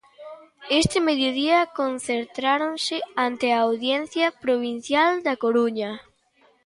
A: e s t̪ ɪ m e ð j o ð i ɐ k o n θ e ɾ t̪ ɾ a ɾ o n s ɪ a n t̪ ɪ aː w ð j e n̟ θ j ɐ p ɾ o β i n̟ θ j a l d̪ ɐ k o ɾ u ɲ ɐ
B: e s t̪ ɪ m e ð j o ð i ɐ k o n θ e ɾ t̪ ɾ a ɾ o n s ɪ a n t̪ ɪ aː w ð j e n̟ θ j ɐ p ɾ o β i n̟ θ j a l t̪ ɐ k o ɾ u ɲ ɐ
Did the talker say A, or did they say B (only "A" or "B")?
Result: A